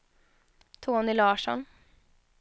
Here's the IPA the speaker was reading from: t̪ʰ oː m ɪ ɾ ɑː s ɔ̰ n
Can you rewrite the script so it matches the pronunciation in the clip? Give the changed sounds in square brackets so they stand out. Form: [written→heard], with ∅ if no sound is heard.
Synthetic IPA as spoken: t̪ʰ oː [m→n] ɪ [ɾ→l] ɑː [s→ʂ] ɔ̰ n

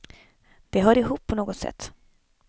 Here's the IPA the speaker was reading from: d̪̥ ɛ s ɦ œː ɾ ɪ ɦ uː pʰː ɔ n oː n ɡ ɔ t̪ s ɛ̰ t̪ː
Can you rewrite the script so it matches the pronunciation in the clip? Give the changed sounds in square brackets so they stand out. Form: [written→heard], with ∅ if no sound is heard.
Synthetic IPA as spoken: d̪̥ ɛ [s→∅] ɦ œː ɾ ɪ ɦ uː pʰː ɔ n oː [n→∅] ɡ ɔ t̪ s ɛ̰ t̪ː

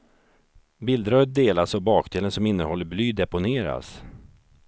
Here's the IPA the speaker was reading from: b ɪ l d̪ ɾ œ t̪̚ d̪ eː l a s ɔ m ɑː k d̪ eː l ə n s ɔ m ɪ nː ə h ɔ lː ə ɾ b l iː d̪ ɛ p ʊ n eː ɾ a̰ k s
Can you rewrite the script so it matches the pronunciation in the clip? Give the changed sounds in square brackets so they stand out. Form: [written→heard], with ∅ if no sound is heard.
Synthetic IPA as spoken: b ɪ l d̪ ɾ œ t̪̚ d̪ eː l a s ɔ [m→b] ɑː k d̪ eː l ə n s ɔ m ɪ nː ə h ɔ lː ə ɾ b l [iː→yː] d̪ ɛ p ʊ n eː ɾ a̰ [k→∅] s

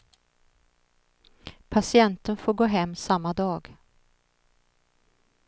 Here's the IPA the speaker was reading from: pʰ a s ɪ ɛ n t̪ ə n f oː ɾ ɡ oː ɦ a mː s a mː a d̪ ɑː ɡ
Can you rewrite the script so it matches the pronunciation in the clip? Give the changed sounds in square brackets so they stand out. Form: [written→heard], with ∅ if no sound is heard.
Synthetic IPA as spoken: pʰ a s ɪ ɛ n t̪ ə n f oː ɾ ɡ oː ɦ [a→ɛ] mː s a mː a d̪ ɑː ɡ

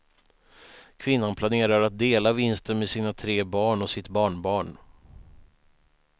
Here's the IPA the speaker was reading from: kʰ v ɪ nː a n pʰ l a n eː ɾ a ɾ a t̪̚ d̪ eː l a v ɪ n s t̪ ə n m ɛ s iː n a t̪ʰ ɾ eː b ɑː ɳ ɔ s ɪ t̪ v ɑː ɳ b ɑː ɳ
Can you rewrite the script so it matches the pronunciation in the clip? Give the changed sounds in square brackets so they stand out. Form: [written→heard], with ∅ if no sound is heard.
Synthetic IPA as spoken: kʰ v ɪ nː a n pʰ l a n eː ɾ a ɾ a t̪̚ d̪ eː l a v ɪ n s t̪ ə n m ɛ s iː n a t̪ʰ ɾ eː b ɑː ɳ ɔ s ɪ t̪ [v→b] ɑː ɳ b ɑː ɳ

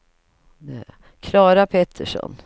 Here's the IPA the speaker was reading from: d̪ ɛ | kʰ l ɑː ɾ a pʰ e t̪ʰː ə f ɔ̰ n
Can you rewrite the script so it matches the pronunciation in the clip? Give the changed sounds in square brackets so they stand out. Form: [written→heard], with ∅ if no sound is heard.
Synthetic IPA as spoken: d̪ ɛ | kʰ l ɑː ɾ a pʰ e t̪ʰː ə [f→ʂ] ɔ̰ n

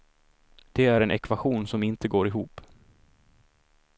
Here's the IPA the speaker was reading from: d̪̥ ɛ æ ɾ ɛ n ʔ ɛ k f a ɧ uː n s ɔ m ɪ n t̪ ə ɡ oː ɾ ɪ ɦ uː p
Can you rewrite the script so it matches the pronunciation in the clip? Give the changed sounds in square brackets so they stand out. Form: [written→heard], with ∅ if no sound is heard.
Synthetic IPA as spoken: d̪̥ ɛ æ ɾ ɛ n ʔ ɛ k [f→v] a ɧ uː n s ɔ m ɪ n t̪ ə ɡ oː ɾ ɪ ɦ uː p

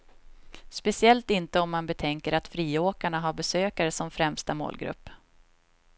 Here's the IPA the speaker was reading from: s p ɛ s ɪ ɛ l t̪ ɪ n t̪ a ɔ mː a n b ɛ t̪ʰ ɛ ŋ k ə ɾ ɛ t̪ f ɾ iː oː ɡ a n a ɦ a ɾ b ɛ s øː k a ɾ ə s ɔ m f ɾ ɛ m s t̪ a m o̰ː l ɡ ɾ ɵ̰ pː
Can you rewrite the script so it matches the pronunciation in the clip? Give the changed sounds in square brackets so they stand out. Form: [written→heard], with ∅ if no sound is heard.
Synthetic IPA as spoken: s p ɛ s ɪ ɛ l t̪ ɪ n t̪ [a→ə] ɔ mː a n b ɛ t̪ʰ ɛ ŋ k ə ɾ [ɛ→a] t̪ f ɾ iː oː [ɡ→k] a [n→ɳ] a ɦ a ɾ b ɛ s øː k a ɾ ə s ɔ m f ɾ ɛ m s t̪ a m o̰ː l ɡ ɾ ɵ̰ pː

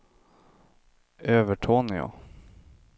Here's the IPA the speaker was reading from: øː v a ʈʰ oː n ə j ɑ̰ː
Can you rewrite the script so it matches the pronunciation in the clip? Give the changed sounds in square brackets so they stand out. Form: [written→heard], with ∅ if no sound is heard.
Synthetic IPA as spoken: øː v [a→ə] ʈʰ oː n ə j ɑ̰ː

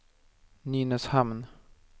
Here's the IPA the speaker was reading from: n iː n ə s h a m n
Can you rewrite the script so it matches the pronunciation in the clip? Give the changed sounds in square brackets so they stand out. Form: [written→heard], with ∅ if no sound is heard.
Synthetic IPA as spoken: n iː n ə s h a m n

